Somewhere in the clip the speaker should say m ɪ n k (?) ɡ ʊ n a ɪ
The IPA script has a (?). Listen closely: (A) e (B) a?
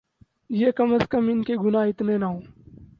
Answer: A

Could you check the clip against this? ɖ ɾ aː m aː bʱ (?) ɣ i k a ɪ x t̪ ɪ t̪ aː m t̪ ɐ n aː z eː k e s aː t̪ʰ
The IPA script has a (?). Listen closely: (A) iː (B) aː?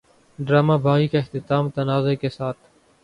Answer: B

